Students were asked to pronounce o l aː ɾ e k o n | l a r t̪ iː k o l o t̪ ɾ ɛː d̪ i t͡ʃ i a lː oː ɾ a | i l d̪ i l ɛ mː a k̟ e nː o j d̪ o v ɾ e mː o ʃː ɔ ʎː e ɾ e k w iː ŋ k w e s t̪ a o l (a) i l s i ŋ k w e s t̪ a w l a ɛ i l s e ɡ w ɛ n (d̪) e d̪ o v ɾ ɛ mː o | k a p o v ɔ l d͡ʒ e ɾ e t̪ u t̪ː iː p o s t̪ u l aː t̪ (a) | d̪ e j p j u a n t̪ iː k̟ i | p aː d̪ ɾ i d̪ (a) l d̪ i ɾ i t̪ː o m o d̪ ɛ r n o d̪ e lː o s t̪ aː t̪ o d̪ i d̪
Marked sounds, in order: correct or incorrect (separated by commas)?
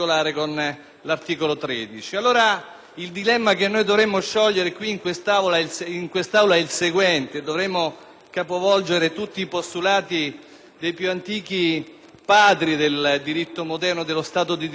correct, incorrect, incorrect, incorrect